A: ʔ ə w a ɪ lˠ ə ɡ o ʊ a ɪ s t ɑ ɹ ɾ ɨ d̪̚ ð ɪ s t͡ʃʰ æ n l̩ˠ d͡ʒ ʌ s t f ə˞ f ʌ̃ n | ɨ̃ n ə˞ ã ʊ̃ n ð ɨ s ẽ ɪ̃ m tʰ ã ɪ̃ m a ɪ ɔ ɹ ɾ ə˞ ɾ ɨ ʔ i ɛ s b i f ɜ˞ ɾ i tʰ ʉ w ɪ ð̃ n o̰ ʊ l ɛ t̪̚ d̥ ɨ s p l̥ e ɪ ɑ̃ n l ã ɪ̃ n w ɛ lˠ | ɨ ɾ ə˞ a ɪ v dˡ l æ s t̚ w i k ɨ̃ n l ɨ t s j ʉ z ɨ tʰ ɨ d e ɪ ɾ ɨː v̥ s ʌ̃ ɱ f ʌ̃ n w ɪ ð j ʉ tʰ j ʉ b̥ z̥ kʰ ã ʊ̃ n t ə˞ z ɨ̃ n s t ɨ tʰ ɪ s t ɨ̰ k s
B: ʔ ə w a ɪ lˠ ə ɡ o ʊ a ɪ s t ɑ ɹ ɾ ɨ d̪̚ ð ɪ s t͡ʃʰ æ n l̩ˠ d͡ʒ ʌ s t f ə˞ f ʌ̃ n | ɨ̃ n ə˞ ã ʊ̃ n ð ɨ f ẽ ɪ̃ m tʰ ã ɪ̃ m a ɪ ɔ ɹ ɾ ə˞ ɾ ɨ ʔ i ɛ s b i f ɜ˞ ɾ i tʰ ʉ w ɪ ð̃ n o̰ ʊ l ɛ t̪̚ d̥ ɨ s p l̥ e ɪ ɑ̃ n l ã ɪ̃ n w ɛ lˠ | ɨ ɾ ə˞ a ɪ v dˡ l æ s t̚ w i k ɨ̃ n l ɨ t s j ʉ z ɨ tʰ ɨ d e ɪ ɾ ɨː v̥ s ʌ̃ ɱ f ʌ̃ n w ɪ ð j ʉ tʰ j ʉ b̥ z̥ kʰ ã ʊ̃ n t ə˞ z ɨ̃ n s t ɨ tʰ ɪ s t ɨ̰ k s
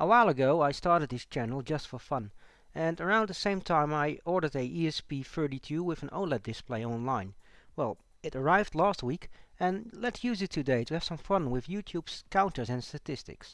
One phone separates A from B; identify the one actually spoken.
A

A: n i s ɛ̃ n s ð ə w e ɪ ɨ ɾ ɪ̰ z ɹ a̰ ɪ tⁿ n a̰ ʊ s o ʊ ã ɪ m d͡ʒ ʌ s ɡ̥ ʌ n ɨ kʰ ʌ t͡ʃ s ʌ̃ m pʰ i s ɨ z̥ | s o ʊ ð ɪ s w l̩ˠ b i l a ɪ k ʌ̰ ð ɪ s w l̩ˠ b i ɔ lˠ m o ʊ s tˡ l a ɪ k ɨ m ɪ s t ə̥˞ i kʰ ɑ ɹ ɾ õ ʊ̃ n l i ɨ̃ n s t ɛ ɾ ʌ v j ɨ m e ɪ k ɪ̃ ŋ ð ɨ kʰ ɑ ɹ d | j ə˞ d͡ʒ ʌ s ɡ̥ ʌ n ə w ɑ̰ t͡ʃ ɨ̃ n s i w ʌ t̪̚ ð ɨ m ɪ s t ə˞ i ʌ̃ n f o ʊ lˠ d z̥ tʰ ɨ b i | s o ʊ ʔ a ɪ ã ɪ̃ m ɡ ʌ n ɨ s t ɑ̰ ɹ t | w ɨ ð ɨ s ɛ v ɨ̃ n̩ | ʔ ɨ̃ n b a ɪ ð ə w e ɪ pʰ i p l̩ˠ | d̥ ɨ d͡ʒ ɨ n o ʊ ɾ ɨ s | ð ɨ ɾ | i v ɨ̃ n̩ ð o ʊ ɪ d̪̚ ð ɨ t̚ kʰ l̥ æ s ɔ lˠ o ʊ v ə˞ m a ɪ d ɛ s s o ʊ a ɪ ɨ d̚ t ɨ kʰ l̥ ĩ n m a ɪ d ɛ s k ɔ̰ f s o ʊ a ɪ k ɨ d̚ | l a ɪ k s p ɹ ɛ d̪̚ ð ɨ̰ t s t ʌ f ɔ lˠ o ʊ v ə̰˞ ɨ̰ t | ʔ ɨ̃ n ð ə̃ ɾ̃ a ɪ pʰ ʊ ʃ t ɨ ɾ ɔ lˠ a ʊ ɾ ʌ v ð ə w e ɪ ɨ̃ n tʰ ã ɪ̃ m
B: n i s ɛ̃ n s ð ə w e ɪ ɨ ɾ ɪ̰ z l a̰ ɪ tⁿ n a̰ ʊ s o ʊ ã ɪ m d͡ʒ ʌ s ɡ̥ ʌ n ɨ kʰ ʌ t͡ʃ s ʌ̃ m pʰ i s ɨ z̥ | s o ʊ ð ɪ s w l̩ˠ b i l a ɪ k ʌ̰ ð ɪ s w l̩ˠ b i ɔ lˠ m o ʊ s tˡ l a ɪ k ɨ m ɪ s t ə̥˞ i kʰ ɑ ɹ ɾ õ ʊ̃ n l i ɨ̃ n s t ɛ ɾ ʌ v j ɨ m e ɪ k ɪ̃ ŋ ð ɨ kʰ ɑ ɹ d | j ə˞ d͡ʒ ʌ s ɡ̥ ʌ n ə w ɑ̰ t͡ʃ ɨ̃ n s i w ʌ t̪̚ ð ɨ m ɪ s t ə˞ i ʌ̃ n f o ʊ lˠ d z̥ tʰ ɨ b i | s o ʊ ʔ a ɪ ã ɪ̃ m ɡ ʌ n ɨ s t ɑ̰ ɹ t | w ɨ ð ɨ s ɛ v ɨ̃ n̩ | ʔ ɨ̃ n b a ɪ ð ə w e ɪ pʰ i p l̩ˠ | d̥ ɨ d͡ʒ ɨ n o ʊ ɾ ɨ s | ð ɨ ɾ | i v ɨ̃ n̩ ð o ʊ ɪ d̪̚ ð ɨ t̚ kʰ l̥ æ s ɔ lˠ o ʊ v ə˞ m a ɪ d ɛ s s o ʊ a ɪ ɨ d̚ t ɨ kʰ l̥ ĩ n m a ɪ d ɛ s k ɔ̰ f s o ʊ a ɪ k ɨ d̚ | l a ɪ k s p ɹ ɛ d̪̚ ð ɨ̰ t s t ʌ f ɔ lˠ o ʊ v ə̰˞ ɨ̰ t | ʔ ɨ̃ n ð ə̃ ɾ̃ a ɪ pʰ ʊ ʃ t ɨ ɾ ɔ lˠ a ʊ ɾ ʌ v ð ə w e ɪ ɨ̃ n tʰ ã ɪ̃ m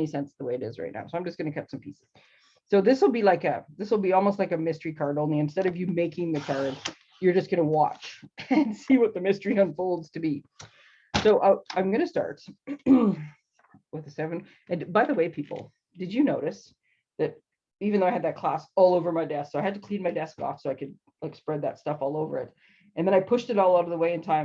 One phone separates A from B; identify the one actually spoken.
A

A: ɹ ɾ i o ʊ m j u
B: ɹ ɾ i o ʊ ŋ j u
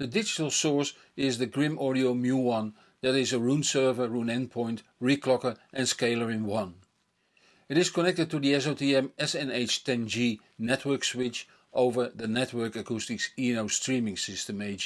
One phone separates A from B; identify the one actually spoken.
A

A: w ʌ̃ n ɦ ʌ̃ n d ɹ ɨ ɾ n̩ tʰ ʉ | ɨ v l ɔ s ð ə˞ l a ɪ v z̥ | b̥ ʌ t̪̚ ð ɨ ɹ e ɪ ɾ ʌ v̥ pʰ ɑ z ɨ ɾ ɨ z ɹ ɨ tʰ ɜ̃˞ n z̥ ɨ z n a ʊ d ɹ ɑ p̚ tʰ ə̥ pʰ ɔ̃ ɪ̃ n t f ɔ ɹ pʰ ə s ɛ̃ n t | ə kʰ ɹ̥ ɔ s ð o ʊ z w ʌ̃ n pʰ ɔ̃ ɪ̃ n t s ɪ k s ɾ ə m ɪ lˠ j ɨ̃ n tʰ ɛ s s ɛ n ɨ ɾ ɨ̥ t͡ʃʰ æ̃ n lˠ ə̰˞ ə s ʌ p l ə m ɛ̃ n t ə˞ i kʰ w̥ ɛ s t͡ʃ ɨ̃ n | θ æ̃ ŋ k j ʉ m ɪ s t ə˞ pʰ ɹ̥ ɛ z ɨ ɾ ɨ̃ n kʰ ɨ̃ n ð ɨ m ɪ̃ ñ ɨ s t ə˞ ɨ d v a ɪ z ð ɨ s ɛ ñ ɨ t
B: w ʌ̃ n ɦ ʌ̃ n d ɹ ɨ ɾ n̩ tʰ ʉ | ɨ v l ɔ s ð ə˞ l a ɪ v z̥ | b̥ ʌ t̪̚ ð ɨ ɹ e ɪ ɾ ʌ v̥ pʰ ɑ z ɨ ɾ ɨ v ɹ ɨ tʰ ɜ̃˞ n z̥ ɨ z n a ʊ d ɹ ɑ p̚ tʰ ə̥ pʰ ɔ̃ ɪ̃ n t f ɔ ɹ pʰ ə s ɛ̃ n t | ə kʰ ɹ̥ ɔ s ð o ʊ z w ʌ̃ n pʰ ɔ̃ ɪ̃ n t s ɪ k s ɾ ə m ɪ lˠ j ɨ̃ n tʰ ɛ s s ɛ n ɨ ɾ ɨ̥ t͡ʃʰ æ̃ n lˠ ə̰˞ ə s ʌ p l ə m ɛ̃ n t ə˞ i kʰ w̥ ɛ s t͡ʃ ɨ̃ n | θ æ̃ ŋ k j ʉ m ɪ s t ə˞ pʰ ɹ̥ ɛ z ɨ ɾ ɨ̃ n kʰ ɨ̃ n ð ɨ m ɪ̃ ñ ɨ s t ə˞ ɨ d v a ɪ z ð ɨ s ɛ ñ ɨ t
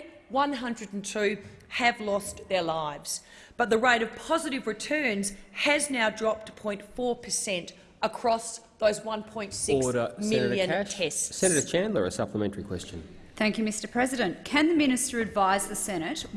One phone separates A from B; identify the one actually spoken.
B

